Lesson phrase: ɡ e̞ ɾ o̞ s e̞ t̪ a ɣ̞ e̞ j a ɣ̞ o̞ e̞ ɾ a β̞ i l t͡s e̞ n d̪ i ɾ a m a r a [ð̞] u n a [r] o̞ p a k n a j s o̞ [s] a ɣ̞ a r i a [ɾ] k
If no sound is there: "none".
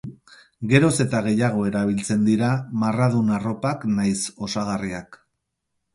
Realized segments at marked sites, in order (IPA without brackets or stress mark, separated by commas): ð̞, r, s, none